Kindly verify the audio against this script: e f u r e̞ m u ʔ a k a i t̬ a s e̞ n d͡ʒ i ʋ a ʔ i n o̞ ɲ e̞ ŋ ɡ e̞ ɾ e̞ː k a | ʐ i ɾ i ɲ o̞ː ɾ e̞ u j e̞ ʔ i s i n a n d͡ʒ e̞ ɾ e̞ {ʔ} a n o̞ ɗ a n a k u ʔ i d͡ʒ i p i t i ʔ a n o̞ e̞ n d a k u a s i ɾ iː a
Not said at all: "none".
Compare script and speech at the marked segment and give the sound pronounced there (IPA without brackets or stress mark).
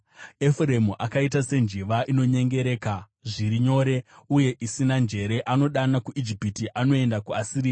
ʔ